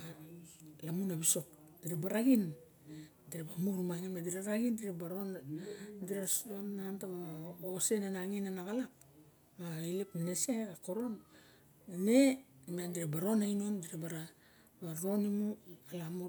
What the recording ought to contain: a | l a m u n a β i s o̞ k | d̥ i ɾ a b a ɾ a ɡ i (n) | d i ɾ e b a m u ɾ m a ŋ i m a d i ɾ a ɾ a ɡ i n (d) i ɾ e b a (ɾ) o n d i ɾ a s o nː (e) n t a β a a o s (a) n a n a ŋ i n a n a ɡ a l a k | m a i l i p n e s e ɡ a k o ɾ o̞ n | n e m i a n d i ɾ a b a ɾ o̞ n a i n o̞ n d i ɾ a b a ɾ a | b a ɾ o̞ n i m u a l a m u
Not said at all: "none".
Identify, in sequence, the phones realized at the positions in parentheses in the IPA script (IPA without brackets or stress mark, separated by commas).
n, d, ɾ, a, e